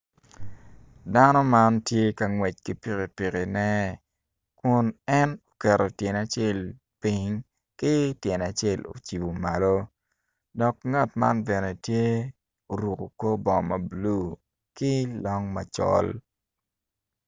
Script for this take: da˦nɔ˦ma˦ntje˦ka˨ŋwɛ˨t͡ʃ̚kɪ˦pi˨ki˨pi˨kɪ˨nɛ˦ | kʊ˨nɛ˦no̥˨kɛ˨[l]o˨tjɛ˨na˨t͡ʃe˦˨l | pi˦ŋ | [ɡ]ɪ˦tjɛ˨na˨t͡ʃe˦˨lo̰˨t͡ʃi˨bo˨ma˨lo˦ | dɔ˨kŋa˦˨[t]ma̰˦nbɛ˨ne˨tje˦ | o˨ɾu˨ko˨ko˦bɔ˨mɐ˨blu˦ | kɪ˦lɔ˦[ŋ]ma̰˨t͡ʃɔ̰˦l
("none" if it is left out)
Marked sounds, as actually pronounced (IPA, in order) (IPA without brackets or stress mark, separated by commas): ɾ, k, t, ŋ